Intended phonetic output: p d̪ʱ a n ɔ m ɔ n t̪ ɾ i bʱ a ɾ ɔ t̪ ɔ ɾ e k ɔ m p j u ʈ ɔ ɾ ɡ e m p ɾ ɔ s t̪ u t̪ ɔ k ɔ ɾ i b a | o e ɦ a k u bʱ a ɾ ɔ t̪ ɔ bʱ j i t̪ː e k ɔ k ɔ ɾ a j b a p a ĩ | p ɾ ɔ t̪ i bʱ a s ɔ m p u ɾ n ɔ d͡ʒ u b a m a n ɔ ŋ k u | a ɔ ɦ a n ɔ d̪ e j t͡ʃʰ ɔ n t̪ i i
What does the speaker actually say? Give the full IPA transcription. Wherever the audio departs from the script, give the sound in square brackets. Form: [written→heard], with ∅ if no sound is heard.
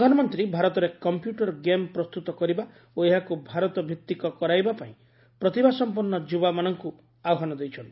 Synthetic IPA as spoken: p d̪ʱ a n ɔ m ɔ n t̪ ɾ i bʱ a ɾ ɔ t̪ ɔ ɾ e k ɔ m p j u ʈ ɔ ɾ ɡ e m p ɾ ɔ s t̪ u t̪ ɔ k ɔ ɾ i b a | o e ɦ a k u bʱ a ɾ ɔ t̪ ɔ bʱ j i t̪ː [e→i] k ɔ k ɔ ɾ a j b a p a ĩ | p ɾ ɔ t̪ i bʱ a s ɔ m p u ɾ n ɔ d͡ʒ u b a m a n ɔ ŋ k u | a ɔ ɦ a n ɔ d̪ e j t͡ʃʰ ɔ n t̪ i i

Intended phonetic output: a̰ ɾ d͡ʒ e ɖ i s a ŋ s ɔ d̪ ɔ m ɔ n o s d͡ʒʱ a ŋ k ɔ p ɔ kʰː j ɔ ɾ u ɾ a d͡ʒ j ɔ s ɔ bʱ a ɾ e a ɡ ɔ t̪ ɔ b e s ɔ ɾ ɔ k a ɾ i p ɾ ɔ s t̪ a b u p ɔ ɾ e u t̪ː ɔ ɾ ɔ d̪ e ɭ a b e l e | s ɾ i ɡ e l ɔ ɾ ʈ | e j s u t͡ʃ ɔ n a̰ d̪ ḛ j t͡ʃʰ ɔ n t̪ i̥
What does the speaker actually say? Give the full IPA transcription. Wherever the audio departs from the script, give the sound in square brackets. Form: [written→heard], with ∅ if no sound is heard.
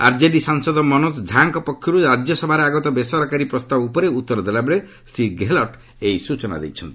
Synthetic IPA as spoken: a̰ ɾ d͡ʒ e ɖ i s a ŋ s ɔ d̪ ɔ m ɔ n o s d͡ʒʱ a ŋ k ɔ p ɔ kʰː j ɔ ɾ u ɾ a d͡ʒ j ɔ s ɔ bʱ a ɾ e a ɡ ɔ t̪ ɔ b e s ɔ ɾ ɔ k a ɾ i p ɾ ɔ s t̪ a b u p ɔ ɾ e u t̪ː ɔ ɾ ɔ d̪ e [ɭ→l] a b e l e | s ɾ i ɡ e l ɔ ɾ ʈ | e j s u t͡ʃ ɔ n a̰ d̪ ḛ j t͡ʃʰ ɔ n t̪ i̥

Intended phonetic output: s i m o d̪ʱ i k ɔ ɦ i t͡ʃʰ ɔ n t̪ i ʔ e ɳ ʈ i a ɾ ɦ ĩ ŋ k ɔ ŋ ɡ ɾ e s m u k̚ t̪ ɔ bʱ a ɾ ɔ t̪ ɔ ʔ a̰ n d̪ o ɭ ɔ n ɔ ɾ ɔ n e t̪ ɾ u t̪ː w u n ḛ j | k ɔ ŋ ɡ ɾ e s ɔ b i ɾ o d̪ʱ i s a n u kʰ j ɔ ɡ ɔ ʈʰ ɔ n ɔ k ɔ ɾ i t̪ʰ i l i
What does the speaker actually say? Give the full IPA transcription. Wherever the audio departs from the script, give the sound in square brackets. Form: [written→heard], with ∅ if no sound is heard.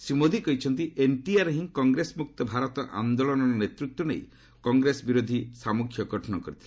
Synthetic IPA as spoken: s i m o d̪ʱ i k ɔ ɦ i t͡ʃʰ ɔ n t̪ i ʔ e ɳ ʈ i a ɾ ɦ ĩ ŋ k ɔ ŋ ɡ ɾ e s m u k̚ t̪ ɔ bʱ a ɾ ɔ t̪ ɔ ʔ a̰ n d̪ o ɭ ɔ n ɔ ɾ ɔ n e t̪ ɾ u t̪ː w [u→ɔ] n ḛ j | k ɔ ŋ ɡ ɾ e s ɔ b i ɾ o d̪ʱ i s a [n→m] u kʰ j ɔ ɡ ɔ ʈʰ ɔ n ɔ k ɔ ɾ i t̪ʰ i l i

